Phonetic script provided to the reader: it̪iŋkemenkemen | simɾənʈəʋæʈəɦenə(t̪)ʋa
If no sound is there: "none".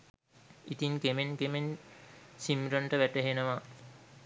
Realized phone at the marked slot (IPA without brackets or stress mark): none